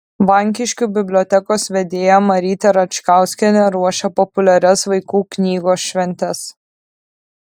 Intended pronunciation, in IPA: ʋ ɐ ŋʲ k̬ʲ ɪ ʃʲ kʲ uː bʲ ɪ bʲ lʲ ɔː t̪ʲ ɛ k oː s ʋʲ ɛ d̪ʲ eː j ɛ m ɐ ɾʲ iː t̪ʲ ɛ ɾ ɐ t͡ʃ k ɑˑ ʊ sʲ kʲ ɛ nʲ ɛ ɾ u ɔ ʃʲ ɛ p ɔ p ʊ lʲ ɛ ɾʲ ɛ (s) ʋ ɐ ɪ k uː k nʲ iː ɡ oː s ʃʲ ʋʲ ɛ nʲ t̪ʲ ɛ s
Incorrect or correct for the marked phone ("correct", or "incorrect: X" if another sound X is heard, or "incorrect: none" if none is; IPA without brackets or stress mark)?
correct